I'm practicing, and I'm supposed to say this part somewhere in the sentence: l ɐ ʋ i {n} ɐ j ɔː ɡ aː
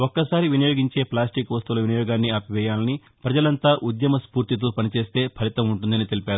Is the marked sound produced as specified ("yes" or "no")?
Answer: yes